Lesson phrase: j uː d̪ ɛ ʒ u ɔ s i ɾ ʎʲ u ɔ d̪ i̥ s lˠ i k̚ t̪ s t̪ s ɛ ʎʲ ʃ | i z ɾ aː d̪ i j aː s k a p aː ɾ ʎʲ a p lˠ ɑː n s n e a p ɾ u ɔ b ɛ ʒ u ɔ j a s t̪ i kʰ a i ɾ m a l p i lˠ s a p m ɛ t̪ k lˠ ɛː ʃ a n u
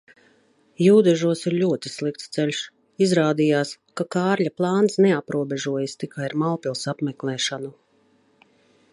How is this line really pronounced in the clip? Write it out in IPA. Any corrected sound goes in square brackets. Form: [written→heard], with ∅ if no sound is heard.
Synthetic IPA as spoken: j uː d̪ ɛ ʒ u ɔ s i ɾ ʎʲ u ɔ [d̪→t̪] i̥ s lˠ i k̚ t̪ s t̪ s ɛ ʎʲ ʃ | i z ɾ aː d̪ i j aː s k a [p→k] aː ɾ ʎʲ a p lˠ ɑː n s n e a p ɾ u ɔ b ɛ ʒ u ɔ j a s t̪ i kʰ a i ɾ m a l p i lˠ s a p m ɛ [t̪→∅] k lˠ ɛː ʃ a n u